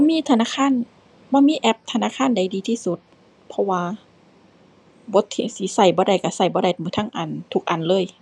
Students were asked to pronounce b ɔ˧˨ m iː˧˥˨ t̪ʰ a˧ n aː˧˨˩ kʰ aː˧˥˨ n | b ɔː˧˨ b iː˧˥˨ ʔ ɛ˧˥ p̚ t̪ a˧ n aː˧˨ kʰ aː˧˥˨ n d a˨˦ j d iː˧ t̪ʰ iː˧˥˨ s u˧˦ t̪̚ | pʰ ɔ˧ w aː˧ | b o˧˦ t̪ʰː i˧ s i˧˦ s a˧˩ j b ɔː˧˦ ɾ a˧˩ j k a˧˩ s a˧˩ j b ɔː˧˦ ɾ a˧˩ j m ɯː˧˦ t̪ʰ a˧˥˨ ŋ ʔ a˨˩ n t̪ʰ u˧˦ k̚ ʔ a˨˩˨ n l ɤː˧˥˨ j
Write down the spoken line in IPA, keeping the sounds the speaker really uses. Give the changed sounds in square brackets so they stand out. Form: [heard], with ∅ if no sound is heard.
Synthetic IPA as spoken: b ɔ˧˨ m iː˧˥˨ t̪ʰ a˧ n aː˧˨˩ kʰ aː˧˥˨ n | b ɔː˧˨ [m] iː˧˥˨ ʔ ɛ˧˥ p̚ [t̪ʰ] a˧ n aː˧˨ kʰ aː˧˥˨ n d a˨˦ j d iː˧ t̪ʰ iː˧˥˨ s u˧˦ t̪̚ | pʰ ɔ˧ w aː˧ | b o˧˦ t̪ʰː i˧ s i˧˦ s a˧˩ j b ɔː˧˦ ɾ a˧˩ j k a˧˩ s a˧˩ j b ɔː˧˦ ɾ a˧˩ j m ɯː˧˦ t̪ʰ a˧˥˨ ŋ ʔ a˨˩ n t̪ʰ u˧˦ k̚ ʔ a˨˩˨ n l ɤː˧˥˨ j

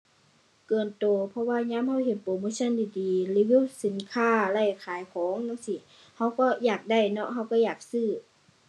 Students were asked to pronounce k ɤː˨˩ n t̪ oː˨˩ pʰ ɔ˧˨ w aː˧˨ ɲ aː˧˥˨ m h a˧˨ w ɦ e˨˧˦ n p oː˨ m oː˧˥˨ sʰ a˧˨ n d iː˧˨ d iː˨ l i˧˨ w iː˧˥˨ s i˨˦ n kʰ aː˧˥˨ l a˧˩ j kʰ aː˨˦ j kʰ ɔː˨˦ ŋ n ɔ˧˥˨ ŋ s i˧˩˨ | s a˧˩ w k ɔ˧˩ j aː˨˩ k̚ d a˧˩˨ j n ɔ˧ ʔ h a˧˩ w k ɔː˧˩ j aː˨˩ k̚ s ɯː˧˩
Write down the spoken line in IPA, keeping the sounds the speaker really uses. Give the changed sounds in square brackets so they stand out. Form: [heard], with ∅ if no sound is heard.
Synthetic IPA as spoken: k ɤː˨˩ n t̪ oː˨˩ pʰ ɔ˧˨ w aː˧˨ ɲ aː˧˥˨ m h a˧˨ w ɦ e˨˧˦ n p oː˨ m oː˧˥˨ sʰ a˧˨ n d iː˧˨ d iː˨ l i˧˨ w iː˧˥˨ s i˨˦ n kʰ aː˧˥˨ l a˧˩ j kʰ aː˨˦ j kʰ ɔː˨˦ ŋ n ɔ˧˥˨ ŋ s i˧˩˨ | [h] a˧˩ w k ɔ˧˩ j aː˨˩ k̚ d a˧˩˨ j n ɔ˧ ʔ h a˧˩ w k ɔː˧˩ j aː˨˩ k̚ s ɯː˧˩

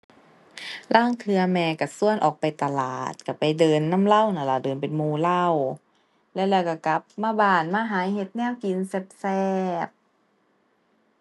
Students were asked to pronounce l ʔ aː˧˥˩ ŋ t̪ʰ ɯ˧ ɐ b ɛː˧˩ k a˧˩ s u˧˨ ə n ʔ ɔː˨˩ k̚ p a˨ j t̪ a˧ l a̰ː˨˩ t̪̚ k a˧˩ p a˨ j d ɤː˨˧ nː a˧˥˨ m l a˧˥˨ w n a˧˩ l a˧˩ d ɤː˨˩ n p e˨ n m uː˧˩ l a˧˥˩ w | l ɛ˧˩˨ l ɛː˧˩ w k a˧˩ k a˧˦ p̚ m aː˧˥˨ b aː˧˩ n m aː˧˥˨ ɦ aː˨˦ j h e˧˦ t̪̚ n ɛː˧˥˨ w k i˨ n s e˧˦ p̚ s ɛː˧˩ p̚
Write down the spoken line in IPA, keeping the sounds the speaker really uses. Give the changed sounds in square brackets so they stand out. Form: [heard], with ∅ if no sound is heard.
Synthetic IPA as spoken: l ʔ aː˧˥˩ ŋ t̪ʰ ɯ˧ ɐ [m] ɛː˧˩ k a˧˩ s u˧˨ ə n ʔ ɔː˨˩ k̚ p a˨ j t̪ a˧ l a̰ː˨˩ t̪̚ k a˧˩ p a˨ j d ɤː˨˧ nː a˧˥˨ m l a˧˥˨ w n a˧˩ l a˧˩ d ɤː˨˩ n p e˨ n m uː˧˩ l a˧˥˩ w | l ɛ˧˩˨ l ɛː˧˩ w k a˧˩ k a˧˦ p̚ m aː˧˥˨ b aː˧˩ n m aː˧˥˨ ɦ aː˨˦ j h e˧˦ t̪̚ n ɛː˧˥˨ w k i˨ n s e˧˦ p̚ s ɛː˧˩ p̚

